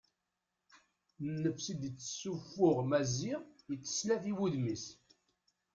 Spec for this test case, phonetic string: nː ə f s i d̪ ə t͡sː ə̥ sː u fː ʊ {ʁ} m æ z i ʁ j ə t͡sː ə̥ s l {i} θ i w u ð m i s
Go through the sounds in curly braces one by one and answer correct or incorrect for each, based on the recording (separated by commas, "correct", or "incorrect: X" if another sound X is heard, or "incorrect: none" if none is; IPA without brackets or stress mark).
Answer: correct, incorrect: æ